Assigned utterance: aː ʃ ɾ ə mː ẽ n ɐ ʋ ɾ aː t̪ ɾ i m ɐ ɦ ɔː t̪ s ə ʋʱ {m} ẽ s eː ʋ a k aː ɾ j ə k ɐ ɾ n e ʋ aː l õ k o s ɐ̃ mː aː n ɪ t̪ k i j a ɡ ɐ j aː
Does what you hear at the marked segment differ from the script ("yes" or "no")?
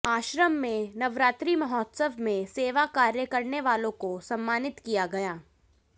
no